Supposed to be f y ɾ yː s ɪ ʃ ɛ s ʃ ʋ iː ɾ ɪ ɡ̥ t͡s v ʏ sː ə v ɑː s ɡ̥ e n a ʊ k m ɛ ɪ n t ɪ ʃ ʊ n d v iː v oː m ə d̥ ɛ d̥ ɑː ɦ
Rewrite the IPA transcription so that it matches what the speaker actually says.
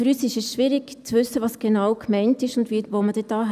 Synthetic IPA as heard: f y ɾ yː s ɪ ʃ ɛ s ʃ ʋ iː ɾ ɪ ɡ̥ t͡s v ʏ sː ə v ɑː s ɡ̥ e n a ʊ k m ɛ ɪ n t ɪ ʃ ʊ n d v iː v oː m ə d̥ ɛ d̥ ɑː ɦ